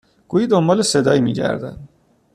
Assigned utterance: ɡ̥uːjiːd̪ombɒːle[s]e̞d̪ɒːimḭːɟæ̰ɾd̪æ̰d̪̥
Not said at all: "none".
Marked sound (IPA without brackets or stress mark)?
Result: s